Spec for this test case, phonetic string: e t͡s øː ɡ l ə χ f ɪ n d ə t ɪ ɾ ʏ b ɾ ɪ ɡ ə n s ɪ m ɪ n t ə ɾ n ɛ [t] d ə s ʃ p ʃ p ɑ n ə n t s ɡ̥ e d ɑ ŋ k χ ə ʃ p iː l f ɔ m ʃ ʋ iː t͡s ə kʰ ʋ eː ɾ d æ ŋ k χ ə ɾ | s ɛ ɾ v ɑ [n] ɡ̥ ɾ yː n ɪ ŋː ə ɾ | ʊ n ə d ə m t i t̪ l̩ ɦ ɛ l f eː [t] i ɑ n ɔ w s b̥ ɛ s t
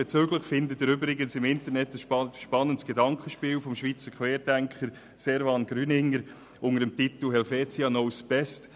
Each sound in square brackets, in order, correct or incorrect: correct, correct, incorrect: t͡s

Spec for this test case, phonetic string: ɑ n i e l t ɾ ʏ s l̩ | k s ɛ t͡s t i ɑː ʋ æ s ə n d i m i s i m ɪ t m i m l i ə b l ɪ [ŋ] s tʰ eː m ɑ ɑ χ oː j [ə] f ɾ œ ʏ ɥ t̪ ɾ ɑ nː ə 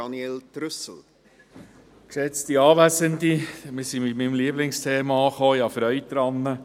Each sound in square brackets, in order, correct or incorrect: correct, incorrect: ɑ

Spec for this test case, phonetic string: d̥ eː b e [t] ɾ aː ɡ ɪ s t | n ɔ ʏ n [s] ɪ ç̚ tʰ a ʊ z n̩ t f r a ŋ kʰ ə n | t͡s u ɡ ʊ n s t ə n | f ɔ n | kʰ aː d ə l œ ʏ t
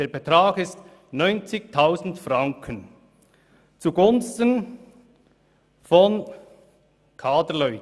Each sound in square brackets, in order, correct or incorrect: correct, incorrect: t͡s

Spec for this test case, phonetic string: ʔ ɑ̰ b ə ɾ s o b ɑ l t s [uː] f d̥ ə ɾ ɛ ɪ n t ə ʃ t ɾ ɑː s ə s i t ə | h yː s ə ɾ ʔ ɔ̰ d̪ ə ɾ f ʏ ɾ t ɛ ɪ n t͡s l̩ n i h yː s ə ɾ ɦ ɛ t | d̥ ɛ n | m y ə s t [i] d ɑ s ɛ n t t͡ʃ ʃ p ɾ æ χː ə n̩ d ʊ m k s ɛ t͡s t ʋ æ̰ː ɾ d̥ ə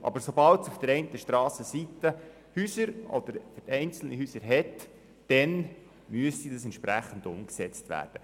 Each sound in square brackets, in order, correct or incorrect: incorrect: u, correct

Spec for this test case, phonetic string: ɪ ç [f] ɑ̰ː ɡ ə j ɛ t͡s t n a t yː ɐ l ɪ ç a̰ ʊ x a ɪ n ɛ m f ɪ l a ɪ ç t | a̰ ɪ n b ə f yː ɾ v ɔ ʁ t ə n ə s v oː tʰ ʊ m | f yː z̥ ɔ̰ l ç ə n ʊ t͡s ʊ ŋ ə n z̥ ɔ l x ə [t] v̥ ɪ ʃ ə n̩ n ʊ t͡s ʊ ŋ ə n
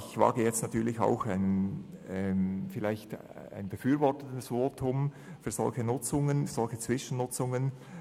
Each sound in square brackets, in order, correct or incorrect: incorrect: v, incorrect: t͡s

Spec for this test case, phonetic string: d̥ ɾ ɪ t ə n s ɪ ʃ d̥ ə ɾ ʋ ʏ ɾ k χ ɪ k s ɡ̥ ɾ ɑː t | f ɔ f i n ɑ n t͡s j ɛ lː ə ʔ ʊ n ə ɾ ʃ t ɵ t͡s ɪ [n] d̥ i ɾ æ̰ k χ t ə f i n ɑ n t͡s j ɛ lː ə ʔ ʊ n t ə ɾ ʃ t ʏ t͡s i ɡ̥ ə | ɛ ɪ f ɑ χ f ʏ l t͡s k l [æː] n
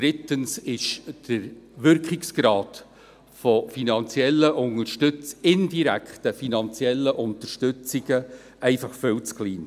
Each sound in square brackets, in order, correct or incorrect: correct, incorrect: iː

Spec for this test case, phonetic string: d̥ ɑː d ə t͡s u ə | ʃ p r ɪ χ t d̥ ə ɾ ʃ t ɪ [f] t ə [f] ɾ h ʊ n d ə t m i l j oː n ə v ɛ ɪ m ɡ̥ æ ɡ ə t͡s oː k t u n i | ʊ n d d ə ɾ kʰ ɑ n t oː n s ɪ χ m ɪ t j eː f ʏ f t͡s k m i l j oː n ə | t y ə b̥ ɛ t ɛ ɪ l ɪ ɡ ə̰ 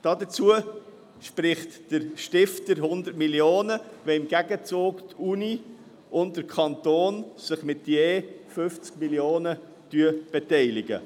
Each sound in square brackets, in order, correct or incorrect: correct, incorrect: none

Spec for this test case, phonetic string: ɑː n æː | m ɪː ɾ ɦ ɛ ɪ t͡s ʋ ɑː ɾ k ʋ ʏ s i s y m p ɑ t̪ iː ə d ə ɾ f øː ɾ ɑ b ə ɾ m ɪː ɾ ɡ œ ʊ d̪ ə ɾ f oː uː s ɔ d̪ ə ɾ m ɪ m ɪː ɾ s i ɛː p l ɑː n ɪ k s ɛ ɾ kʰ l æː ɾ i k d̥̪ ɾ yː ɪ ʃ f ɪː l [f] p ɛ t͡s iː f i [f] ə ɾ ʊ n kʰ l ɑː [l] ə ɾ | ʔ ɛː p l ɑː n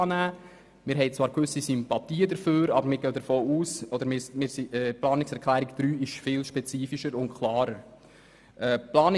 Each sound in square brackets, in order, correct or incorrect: incorrect: ʃ, incorrect: ʃ, incorrect: ɾ

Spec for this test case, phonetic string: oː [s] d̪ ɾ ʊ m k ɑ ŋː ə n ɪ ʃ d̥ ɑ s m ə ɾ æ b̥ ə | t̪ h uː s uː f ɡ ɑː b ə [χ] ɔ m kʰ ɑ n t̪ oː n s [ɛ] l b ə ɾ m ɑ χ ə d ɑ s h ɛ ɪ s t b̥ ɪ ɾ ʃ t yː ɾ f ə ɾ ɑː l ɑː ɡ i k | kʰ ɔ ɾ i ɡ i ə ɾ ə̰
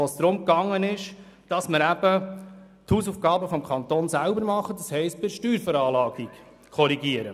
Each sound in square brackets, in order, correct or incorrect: correct, incorrect: f, incorrect: æ

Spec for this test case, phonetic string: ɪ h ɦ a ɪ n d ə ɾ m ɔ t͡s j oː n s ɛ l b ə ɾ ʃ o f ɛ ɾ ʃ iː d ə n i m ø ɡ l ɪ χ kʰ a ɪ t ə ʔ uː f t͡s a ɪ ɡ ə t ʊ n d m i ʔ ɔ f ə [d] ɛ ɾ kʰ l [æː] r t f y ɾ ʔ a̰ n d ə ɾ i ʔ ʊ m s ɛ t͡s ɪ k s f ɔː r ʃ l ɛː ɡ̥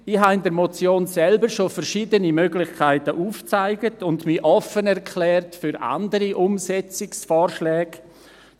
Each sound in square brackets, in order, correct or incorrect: incorrect: n, incorrect: ɛː

